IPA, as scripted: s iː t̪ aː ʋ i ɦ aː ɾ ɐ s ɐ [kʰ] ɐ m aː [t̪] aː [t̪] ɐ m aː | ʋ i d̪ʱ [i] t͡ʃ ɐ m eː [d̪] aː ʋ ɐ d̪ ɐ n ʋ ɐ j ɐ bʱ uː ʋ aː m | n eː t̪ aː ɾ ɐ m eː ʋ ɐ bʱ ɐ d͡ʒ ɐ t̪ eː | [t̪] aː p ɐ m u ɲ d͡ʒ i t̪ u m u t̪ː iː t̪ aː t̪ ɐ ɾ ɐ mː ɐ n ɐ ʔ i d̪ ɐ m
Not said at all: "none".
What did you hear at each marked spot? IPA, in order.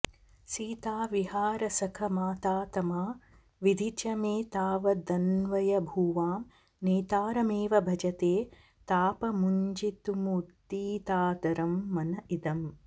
kʰ, t̪, t̪, i, t̪, t̪

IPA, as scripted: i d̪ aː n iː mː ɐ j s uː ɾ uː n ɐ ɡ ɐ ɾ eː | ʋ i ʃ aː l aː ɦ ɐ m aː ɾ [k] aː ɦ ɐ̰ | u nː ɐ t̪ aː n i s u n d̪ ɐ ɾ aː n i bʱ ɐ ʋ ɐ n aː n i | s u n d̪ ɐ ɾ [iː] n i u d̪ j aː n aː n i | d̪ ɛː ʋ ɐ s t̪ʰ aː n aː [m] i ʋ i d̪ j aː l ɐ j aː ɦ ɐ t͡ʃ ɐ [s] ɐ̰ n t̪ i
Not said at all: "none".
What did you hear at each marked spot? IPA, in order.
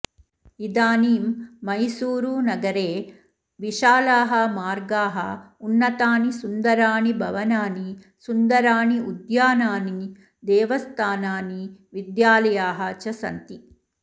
ɡ, aː, n, s

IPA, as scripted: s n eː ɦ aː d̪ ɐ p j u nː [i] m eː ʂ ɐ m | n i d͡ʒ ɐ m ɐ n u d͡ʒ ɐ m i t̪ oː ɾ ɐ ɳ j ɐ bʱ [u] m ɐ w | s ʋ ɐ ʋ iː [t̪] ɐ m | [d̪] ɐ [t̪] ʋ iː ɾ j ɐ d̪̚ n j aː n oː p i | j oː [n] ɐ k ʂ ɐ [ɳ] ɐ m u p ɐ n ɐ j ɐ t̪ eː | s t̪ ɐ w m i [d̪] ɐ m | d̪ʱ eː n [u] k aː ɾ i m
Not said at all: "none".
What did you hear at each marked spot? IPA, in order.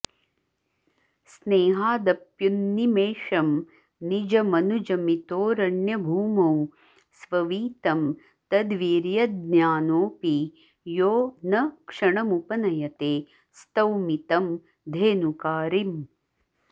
i, uː, t̪, t̪, d̪, n, ɳ, t̪, u

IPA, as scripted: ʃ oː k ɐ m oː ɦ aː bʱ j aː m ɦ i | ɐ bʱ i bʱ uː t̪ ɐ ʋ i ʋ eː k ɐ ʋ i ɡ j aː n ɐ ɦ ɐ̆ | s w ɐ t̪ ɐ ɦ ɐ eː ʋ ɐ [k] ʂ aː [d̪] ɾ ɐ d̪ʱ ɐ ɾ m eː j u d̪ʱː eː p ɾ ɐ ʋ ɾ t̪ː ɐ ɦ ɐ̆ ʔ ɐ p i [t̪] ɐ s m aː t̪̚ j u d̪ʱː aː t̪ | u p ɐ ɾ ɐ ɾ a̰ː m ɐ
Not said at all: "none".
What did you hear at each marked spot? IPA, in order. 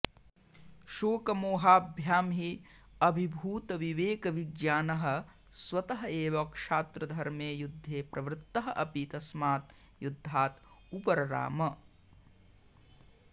k, t̪, t̪

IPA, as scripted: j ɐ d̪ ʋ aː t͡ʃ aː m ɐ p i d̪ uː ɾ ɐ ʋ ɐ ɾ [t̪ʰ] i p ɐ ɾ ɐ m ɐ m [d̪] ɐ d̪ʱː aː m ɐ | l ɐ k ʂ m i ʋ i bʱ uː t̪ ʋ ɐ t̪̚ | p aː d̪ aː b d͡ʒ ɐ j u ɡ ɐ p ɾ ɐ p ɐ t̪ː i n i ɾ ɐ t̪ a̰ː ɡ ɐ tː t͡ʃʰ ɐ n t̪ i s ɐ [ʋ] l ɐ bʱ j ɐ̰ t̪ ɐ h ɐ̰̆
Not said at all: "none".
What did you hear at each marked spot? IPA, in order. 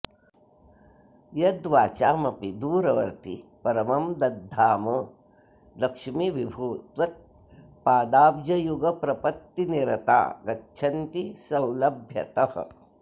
t̪, d̪, w

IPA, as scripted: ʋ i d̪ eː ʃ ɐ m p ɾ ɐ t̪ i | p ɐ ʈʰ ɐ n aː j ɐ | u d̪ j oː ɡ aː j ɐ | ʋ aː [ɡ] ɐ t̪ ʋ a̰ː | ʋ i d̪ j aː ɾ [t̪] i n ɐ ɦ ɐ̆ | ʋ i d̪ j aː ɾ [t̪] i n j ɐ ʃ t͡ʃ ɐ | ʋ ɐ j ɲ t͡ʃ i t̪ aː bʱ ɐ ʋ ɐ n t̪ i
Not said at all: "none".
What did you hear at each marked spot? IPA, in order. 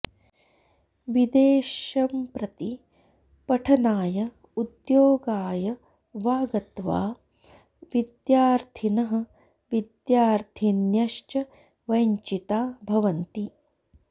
ɡ, t̪ʰ, t̪ʰ

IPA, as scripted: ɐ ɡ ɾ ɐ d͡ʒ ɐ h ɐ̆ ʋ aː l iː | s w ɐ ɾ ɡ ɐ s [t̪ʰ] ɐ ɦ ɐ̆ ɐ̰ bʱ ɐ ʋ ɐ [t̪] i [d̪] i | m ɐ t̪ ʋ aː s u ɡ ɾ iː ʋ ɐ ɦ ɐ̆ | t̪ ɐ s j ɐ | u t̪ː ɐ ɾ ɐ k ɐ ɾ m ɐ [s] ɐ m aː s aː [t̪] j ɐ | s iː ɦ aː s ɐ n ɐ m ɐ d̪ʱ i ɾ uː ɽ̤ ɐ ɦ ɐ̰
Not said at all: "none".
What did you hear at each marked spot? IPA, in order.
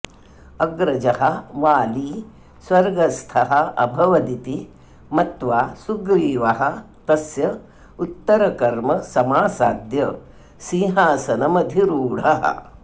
t̪ʰ, d̪, t̪, s, d̪

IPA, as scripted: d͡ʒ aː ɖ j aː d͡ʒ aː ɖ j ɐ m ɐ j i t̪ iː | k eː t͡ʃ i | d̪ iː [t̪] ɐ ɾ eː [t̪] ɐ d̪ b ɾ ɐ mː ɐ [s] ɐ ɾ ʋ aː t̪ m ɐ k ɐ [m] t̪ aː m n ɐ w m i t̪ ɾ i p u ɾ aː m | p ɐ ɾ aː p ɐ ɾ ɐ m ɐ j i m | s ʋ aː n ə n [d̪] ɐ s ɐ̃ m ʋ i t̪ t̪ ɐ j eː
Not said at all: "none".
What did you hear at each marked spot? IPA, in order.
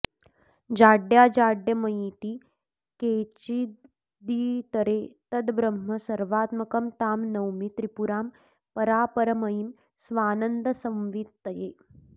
t̪, t̪, s, m, d̪

